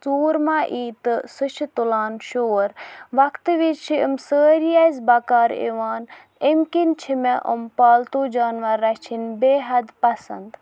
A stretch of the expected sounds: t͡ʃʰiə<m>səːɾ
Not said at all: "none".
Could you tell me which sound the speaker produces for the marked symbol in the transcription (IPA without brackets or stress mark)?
m